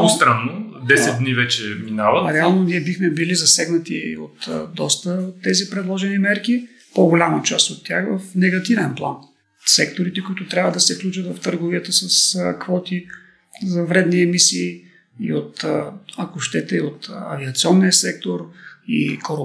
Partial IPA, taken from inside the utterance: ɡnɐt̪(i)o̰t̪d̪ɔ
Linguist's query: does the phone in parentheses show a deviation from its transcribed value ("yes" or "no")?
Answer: no